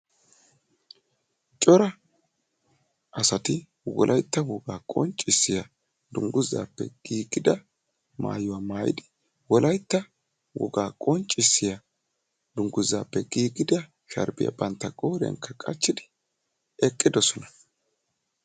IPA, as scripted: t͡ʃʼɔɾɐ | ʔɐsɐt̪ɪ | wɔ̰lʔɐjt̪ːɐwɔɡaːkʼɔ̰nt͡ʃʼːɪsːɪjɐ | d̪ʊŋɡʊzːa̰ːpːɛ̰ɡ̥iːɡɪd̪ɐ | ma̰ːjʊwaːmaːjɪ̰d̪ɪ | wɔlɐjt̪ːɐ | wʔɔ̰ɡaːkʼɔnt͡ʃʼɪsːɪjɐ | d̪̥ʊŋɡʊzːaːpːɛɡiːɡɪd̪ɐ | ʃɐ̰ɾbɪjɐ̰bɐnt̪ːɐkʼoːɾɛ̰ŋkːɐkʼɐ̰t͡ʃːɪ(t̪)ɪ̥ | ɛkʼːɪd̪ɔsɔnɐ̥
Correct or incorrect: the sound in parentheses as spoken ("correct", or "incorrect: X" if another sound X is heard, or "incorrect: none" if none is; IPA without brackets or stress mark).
incorrect: d̪